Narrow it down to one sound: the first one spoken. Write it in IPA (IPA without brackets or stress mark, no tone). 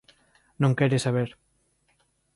n